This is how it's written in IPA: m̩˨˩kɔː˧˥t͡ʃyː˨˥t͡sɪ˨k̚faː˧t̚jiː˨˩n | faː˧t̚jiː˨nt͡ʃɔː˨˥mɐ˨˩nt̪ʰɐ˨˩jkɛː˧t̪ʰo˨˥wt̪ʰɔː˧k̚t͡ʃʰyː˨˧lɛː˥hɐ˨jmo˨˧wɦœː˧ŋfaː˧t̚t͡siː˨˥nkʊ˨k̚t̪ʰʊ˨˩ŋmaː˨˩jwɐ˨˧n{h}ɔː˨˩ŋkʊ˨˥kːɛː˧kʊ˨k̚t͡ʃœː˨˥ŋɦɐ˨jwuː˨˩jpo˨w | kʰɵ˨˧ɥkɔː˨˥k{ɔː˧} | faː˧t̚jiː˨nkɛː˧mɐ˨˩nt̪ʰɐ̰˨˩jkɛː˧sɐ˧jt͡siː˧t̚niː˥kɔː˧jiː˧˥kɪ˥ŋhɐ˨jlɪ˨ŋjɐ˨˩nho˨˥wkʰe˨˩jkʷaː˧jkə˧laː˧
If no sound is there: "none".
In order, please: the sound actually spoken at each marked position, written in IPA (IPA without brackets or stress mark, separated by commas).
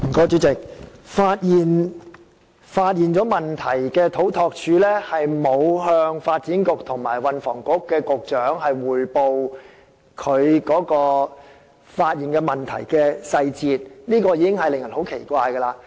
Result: f, ɔː˧